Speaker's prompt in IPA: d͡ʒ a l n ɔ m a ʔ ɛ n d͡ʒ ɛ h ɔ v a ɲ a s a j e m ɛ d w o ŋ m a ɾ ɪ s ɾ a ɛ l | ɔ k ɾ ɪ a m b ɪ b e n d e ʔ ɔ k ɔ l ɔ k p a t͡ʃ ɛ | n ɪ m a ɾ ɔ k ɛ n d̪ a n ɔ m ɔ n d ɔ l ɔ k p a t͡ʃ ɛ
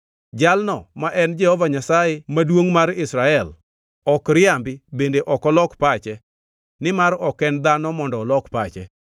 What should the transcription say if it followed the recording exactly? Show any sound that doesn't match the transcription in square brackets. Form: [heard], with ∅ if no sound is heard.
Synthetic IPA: d͡ʒ a l n ɔ m a ʔ ɛ n d͡ʒ ɛ h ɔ v a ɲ a s a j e m [a] d w o ŋ m a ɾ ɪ s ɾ a ɛ l | ɔ k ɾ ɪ a m b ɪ b e n d e ʔ ɔ k ɔ l ɔ k p a t͡ʃ ɛ | n ɪ m a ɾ ɔ k ɛ n d̪ a n ɔ m ɔ n d ɔ l ɔ k p a t͡ʃ ɛ

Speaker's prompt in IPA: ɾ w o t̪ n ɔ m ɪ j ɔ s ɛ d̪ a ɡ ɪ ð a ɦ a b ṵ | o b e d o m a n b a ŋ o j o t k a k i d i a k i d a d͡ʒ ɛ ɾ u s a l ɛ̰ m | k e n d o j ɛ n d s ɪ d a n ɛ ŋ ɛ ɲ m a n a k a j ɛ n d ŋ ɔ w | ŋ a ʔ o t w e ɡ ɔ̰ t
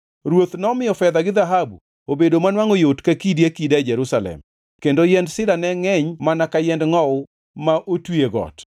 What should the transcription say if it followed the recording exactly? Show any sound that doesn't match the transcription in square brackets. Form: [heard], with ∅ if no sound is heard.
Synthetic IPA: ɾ w o t̪ n ɔ m ɪ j ɔ [f] ɛ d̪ a ɡ ɪ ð a ɦ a b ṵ | o b e d o m a n [w] a ŋ o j o t k a k i d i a k i d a d͡ʒ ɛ ɾ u s a l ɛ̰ m | k e n d o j ɛ n d s ɪ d a n ɛ ŋ ɛ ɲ m a n a k a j ɛ n d ŋ ɔ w | [m] a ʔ o t w e ɡ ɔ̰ t

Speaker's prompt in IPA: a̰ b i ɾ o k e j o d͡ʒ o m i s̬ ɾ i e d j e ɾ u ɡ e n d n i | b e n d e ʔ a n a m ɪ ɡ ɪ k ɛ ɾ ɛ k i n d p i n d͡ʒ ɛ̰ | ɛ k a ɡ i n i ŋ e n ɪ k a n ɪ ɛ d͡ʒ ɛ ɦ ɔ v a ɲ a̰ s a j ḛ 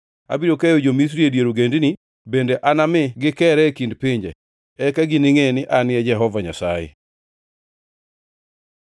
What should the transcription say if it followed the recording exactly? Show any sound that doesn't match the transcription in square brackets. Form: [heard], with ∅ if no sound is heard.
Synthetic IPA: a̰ b i ɾ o k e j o d͡ʒ o m i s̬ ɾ i e d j e ɾ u ɡ e n d n i | b e n d e ʔ a n a m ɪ ɡ ɪ k ɛ ɾ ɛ k i n d p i [ɲ] d͡ʒ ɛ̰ | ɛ k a ɡ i n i ŋ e n ɪ [ʔ] a n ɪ ɛ d͡ʒ ɛ ɦ ɔ v a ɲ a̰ s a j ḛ

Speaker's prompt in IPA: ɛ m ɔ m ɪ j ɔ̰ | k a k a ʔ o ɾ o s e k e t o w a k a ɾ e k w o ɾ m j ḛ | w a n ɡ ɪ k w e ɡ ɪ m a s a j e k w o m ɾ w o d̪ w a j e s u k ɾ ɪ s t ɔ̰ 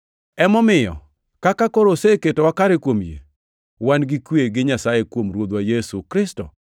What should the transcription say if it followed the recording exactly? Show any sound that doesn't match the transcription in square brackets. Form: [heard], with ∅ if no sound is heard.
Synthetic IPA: ɛ m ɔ m ɪ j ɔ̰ | k a k a [k] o ɾ o s e k e t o w a k a ɾ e k w o [∅] m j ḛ | w a n ɡ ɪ k w e ɡ ɪ [ɲ] a s a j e k w o m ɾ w o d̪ w a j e s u k ɾ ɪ s t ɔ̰

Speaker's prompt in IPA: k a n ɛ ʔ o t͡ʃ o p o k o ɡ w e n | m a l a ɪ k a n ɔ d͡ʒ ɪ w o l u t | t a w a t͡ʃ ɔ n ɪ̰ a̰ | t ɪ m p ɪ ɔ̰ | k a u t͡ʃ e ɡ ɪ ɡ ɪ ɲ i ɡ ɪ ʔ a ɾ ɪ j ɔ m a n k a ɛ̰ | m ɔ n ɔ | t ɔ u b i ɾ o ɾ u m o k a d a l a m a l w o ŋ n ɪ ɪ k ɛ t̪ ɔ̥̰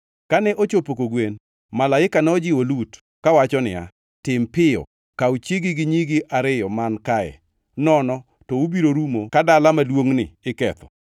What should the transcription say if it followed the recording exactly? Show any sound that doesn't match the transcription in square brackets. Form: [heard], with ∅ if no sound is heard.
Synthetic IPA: k a n ɛ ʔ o t͡ʃ o p o k o ɡ w e n | m a l a ɪ k a n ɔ d͡ʒ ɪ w o l u t | [k] a w a t͡ʃ ɔ n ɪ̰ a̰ | t ɪ m p ɪ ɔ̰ | k a u t͡ʃ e ɡ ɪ ɡ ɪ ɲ i ɡ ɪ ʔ a ɾ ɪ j ɔ m a n k a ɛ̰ | [n] ɔ n ɔ | t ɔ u b i ɾ o ɾ u m o k a d a l a m a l w o ŋ n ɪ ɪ k ɛ t̪ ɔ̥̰

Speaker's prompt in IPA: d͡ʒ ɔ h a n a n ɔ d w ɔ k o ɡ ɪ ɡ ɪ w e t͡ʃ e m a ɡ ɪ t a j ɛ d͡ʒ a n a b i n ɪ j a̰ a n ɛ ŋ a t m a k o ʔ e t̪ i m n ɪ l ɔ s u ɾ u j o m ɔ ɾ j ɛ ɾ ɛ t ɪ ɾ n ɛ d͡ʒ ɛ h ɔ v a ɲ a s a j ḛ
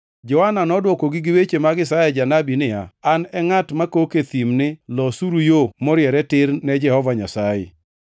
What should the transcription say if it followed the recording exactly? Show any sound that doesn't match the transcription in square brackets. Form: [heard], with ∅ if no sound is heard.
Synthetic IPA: d͡ʒ ɔ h a n a n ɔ d w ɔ k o ɡ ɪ ɡ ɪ w e t͡ʃ e m a ɡ ɪ [s] a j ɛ d͡ʒ a n a b i n ɪ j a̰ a n ɛ ŋ a t m a k o [k] e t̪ i m n ɪ l ɔ s u ɾ u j o m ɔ ɾ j ɛ ɾ ɛ t ɪ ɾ n ɛ d͡ʒ ɛ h ɔ v a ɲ a s a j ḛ

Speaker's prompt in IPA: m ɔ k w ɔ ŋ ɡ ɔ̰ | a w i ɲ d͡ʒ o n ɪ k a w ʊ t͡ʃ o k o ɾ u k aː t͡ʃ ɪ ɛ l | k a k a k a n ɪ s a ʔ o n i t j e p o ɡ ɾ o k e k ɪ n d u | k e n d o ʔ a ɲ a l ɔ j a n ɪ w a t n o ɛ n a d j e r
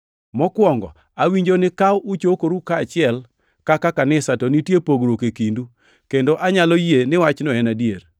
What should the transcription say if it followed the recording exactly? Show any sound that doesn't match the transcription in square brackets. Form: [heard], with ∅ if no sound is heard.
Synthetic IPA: m ɔ k w ɔ ŋ ɡ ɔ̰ | a w i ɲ d͡ʒ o n ɪ k a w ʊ t͡ʃ o k o ɾ u k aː t͡ʃ ɪ ɛ l | k a k a k a n ɪ s a [t] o n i t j e p o ɡ ɾ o k e k [i] n d u | k e n d o ʔ a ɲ a l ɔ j [e] n ɪ w a [t͡ʃ] n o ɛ n a d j e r

